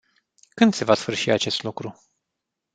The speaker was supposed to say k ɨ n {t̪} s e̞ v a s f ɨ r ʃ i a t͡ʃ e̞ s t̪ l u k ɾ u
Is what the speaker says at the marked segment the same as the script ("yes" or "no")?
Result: no